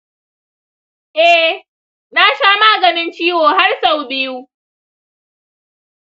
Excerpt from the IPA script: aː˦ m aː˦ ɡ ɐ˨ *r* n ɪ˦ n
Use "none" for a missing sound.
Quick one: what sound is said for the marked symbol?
none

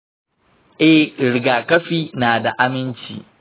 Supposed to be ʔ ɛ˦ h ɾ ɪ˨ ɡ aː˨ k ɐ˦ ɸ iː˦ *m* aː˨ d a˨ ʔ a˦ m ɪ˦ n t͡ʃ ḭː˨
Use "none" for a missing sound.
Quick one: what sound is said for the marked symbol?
n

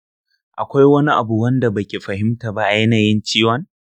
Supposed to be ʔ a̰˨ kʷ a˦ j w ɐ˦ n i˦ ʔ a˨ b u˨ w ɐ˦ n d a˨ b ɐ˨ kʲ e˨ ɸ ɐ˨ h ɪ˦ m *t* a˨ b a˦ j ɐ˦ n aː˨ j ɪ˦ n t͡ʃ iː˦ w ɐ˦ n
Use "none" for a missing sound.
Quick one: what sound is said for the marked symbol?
t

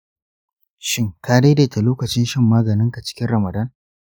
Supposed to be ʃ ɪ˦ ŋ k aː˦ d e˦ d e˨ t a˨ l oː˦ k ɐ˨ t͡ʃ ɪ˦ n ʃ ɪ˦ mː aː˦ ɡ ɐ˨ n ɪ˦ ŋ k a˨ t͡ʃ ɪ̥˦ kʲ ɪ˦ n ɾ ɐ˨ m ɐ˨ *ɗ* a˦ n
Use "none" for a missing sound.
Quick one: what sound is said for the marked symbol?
d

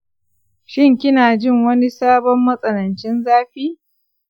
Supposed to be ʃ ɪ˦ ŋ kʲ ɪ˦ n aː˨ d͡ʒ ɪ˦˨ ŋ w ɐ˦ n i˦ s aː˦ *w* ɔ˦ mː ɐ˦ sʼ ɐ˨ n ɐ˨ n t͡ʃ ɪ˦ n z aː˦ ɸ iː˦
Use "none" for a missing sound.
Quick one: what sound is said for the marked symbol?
b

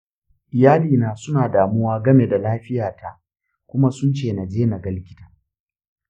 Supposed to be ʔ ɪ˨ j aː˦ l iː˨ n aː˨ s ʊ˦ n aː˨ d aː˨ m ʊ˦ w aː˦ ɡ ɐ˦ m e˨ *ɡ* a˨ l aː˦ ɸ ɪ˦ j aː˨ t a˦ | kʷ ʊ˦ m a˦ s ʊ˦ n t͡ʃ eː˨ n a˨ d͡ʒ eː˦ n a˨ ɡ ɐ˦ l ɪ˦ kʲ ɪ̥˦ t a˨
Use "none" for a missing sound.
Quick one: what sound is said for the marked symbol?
d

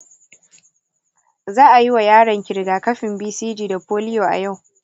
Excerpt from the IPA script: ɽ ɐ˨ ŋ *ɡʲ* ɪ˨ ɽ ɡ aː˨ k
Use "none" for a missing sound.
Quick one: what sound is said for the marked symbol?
kʲ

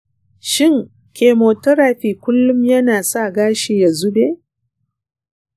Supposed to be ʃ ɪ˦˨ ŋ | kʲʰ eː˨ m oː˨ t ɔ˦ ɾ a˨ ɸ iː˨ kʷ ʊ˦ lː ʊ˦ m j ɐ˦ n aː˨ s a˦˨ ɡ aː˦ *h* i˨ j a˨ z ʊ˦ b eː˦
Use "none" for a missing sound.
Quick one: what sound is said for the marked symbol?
ʃ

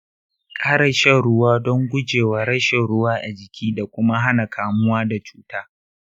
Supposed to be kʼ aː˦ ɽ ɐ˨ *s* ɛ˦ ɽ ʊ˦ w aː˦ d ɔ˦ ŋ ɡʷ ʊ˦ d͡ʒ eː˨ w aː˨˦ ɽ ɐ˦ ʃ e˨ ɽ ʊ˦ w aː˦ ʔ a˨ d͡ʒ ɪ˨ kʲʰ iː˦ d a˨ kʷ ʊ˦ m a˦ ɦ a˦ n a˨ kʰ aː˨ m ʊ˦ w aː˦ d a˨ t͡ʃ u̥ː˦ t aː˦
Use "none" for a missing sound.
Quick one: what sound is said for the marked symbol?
ʃ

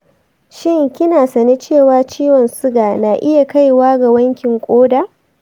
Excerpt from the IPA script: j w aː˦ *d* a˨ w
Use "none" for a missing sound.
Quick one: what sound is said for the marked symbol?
ɡ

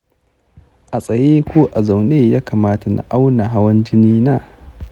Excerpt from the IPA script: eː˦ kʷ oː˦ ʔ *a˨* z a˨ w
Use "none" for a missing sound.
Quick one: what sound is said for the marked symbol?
a˨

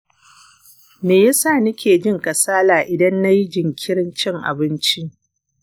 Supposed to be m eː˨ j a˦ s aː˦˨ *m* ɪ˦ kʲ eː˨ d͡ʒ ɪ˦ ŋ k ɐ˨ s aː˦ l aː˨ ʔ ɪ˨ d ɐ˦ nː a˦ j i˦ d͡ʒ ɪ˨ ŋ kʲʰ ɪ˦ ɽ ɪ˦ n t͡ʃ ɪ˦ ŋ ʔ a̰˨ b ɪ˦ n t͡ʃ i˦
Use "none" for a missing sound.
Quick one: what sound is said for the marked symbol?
n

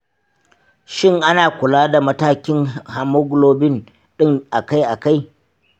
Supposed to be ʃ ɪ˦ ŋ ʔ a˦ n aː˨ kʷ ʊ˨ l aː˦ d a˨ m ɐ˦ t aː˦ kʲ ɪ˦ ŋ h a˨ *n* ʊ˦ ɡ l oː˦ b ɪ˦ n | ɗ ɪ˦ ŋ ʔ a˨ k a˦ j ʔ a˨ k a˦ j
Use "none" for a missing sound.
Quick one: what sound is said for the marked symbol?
m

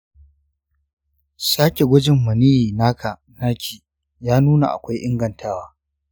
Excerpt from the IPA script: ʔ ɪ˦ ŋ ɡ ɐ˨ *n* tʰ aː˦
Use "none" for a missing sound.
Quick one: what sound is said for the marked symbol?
n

